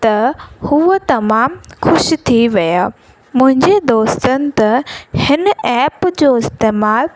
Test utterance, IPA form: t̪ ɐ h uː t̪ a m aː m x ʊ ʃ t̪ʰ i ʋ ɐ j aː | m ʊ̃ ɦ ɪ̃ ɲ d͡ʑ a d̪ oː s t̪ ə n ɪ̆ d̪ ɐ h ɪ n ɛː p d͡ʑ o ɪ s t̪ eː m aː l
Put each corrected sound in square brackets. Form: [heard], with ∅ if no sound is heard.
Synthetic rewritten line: t̪ ɐ h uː t̪ [ɐ] m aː m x ʊ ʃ t̪ʰ i ʋ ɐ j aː | m ʊ̃ ɦ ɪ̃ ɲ d͡ʑ [e] d̪ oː s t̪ ə n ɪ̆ [t̪] ɐ h ɪ n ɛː p d͡ʑ o ɪ s t̪ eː m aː l